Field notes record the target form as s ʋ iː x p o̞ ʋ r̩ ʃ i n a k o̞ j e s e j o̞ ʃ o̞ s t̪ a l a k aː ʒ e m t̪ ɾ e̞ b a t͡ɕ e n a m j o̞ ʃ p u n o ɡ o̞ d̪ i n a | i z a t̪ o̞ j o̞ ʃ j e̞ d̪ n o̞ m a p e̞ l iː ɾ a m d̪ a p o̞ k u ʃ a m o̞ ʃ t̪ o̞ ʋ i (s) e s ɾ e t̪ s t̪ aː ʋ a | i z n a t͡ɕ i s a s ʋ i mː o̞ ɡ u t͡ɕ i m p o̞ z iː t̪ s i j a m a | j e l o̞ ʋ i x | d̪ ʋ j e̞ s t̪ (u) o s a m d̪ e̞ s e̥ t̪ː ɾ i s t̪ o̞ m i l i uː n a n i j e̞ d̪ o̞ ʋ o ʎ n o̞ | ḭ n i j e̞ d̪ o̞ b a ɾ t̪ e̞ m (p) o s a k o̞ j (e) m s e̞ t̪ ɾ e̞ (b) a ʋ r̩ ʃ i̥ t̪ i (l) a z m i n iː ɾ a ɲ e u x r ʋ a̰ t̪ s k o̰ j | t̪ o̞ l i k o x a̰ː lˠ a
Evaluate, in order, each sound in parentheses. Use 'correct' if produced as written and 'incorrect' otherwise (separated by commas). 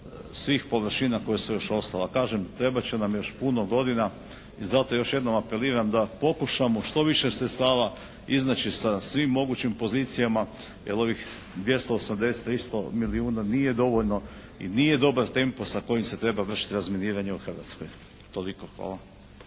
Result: incorrect, incorrect, correct, incorrect, correct, incorrect